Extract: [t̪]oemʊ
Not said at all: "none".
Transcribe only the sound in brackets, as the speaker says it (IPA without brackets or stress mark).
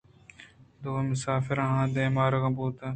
d̪